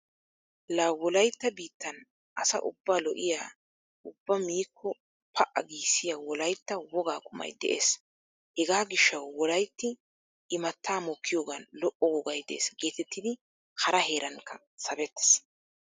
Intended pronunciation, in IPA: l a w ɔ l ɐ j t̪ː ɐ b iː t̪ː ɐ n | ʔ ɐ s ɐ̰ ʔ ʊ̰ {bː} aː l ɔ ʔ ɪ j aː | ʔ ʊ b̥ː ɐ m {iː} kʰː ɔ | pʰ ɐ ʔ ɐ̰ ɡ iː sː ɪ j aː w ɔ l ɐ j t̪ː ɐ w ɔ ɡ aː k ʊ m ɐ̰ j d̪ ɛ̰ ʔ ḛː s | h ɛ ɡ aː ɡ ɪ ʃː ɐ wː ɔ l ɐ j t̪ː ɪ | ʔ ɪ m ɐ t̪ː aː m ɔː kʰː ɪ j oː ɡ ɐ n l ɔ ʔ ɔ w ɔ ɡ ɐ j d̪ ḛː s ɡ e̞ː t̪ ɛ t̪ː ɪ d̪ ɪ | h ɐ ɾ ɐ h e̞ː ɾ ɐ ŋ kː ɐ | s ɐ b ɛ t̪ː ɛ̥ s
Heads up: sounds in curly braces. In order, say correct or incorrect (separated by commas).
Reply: correct, correct